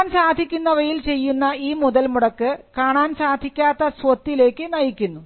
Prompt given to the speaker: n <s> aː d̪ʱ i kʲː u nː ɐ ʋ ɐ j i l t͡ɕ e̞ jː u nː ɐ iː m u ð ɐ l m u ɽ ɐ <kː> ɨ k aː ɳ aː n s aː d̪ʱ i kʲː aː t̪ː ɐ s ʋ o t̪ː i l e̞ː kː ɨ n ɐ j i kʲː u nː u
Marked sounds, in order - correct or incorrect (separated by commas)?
correct, correct